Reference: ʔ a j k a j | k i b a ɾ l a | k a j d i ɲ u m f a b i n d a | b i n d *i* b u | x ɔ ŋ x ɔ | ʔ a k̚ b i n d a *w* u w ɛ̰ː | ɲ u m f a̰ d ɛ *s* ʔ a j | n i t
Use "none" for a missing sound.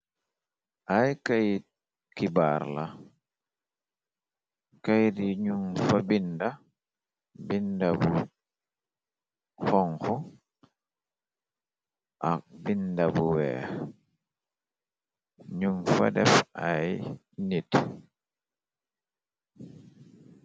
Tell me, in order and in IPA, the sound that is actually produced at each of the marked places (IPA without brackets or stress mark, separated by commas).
a, b, f